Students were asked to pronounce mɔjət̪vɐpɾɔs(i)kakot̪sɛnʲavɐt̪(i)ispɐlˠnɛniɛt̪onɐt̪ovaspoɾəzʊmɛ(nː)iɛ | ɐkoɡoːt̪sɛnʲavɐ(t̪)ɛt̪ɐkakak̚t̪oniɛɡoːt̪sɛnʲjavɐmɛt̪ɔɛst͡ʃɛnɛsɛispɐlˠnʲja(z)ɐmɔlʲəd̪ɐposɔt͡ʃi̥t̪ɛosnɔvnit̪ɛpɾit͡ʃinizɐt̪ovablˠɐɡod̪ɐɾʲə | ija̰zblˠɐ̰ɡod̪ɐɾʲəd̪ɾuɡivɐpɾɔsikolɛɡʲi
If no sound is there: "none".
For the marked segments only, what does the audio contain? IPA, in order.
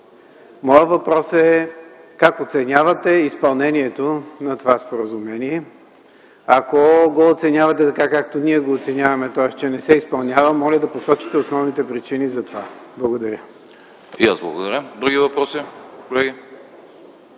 ɛ, ɛ, n, t̪, v

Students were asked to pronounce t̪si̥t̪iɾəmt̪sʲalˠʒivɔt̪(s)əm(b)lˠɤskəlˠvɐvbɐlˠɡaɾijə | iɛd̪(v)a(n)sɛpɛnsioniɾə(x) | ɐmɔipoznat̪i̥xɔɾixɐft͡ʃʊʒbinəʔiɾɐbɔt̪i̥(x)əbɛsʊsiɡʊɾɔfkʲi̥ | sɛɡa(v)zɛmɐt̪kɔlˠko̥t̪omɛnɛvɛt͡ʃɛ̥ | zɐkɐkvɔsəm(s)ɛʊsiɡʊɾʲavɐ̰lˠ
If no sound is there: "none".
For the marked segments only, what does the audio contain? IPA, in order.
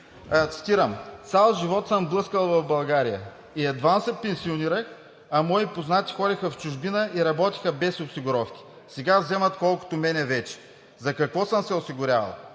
s, b, v, n, x, x, v, s

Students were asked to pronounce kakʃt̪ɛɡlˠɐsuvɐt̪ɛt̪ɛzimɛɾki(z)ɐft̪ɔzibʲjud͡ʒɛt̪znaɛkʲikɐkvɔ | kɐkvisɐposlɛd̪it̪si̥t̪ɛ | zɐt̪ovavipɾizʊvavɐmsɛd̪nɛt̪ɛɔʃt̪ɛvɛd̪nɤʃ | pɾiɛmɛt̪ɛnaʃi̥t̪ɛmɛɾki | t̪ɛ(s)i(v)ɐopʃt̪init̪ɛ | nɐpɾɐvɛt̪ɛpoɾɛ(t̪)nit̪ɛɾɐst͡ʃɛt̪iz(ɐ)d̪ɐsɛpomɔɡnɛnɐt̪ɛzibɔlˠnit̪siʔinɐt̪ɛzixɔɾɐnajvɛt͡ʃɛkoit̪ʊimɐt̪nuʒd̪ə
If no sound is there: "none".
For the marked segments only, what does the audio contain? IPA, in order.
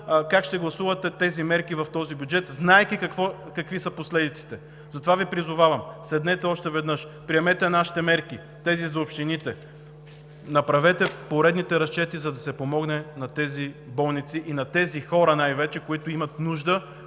v, z, z, d̪, ɐ

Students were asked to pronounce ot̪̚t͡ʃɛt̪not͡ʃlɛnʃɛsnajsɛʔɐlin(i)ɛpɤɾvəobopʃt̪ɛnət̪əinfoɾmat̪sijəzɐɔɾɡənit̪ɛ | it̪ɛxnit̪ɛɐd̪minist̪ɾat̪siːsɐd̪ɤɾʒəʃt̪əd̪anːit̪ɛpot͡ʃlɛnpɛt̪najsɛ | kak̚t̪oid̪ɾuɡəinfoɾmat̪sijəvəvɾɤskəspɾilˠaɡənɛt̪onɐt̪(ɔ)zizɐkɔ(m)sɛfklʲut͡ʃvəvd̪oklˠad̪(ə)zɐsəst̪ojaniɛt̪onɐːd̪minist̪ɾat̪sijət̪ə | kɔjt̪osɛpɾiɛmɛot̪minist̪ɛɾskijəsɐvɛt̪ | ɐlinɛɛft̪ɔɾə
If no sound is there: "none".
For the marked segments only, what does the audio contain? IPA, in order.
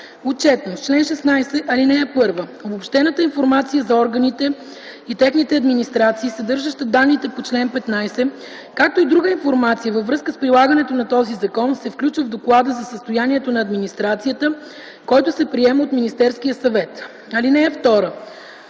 ɛ, ɔ, n, ə

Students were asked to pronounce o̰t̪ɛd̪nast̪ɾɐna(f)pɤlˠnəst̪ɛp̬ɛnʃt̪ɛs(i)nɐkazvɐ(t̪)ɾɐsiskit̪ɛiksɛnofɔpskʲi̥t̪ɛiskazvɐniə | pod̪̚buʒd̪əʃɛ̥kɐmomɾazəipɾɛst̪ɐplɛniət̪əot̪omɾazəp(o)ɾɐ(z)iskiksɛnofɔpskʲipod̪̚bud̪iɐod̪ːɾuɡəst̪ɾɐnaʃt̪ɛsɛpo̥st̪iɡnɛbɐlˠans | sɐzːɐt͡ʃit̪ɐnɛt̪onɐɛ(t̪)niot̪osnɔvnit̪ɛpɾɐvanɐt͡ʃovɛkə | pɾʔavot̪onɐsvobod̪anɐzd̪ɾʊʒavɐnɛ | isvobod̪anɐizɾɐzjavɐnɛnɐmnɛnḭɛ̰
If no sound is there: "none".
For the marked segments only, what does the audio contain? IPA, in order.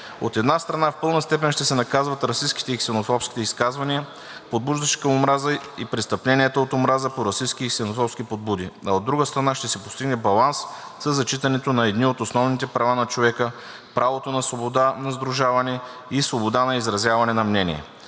f, ɛ, t̪, o, s, d̪

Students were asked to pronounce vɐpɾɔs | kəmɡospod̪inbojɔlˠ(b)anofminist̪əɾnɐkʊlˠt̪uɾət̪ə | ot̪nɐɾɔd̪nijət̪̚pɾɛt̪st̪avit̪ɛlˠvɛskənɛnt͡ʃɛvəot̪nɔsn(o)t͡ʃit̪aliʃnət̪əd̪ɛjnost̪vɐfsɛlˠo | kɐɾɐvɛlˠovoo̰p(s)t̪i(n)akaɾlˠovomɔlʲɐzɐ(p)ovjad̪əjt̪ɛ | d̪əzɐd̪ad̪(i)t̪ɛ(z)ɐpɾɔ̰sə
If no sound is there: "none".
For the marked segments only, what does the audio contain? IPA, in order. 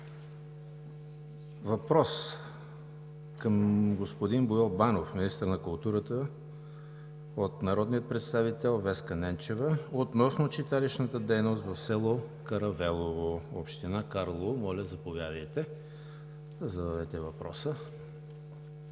b, o, ʃ, n, p, ɛ, v

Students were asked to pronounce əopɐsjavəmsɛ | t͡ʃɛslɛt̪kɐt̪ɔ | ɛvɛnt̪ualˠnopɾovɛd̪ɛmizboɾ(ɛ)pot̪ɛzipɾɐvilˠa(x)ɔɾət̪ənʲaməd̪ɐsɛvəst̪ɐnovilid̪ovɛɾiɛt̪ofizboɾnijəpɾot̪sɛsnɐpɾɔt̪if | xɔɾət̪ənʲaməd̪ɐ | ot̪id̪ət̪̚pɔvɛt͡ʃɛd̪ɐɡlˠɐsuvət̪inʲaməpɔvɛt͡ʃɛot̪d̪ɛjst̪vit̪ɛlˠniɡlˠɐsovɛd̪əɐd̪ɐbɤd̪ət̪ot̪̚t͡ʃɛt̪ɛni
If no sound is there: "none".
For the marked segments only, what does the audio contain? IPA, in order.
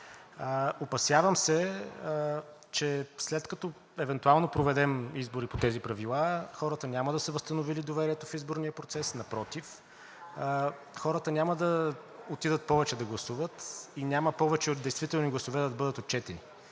i, x

